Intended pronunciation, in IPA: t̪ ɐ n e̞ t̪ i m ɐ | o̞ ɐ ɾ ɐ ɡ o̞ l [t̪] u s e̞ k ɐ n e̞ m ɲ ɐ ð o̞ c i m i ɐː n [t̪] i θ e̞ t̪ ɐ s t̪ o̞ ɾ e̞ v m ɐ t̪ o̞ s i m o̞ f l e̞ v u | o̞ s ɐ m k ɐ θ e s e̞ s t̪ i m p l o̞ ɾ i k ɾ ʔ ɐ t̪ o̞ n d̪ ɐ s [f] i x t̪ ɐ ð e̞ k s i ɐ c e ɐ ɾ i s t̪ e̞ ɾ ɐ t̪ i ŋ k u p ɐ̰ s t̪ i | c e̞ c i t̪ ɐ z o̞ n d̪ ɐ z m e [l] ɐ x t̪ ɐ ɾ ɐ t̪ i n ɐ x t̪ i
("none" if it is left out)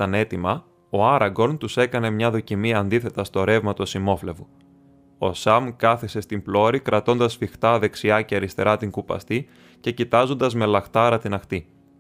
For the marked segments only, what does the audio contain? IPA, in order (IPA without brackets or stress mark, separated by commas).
t̪, d̪, f, l